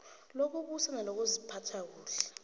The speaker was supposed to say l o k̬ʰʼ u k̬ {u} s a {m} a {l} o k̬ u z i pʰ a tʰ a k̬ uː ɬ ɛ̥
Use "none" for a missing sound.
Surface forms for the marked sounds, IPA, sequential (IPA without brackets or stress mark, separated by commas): u, n, l